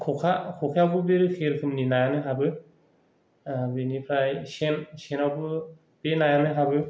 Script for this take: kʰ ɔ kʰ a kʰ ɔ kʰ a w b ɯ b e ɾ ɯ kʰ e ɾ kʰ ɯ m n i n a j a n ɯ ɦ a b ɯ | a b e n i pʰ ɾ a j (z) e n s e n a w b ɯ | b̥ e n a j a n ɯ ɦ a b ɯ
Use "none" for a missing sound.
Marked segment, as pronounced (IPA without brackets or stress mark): s